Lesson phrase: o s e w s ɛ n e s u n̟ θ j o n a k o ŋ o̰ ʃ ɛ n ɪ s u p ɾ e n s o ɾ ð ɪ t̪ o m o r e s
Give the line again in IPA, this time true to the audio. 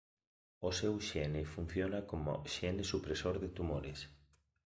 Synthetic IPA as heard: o s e w ʃ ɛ n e f u n̟ θ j o n a k o m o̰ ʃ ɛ n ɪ s u p ɾ e s o ɾ ð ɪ t̪ u m o ɾ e s